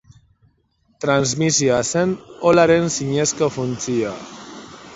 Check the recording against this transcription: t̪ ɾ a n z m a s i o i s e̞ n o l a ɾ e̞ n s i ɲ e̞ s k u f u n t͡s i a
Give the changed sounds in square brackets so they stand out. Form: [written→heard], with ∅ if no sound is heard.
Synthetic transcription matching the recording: t̪ ɾ a n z m [a→i] s i o [i→a] s e̞ n o l a ɾ e̞ n s i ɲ e̞ s k [u→o] f u n t͡s i a